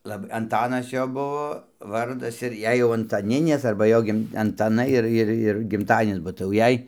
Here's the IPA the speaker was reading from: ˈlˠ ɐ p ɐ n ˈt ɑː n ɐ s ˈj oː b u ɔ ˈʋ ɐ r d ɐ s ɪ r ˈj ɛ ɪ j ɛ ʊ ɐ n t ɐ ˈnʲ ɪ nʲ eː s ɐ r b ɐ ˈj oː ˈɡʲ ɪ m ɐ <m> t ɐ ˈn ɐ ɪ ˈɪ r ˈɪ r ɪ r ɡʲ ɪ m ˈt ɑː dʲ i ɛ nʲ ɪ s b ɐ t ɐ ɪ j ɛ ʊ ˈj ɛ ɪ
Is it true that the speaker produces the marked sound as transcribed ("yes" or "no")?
no